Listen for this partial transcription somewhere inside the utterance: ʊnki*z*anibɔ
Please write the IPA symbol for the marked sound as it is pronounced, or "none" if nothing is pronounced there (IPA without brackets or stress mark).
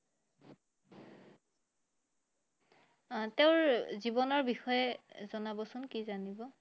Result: z